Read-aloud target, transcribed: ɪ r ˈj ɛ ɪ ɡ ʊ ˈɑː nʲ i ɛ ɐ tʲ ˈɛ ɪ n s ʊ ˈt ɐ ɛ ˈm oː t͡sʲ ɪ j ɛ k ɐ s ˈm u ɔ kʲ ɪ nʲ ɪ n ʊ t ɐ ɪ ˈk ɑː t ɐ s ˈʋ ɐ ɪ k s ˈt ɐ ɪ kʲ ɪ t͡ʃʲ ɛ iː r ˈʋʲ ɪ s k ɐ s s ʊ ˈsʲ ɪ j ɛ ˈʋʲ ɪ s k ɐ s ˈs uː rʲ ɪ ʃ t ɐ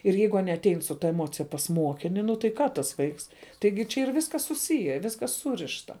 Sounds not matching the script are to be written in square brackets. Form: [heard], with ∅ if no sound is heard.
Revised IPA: ɪ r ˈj ɛ ɪ ɡ ʊ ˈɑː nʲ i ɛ ɐ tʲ ˈɛ ɪ n s ʊ ˈt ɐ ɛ ˈm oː t͡sʲ ɪ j ɛ [p] ɐ s ˈm u ɔ kʲ ɪ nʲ ɪ n ʊ t ɐ ɪ ˈk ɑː t ɐ s ˈʋ ɐ ɪ k s ˈt ɐ ɪ [ɡʲ] ɪ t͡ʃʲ ɛ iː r ˈʋʲ ɪ s k ɐ s s ʊ ˈsʲ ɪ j ɛ ˈʋʲ ɪ s k ɐ s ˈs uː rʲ ɪ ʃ t ɐ